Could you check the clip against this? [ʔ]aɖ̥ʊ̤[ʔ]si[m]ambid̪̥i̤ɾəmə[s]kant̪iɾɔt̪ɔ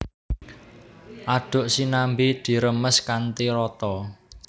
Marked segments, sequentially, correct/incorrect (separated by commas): correct, correct, incorrect, correct